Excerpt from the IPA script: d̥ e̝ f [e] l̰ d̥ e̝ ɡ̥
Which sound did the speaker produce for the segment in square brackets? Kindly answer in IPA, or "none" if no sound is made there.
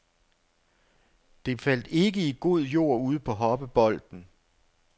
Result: æ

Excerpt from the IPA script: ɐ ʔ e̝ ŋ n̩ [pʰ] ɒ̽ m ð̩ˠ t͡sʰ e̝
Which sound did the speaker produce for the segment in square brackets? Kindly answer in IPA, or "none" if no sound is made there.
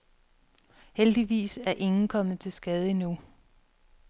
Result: kʰ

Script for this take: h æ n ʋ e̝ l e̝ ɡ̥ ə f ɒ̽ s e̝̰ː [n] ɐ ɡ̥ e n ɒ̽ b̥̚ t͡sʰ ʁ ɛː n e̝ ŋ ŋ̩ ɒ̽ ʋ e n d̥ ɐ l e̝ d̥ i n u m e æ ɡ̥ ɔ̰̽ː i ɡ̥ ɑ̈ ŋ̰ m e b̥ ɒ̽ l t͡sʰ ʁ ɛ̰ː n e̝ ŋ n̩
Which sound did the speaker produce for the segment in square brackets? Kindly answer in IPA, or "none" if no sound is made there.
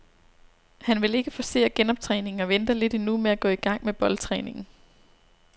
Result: none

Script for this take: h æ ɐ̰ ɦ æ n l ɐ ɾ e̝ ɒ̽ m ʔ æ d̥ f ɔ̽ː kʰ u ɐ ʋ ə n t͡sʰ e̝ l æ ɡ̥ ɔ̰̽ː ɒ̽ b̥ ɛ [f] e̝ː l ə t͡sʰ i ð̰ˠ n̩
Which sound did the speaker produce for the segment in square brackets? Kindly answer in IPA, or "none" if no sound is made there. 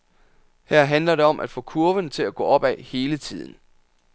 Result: h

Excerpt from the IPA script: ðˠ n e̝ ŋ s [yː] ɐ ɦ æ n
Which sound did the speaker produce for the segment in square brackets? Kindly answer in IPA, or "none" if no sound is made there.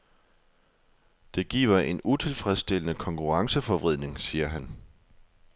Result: iː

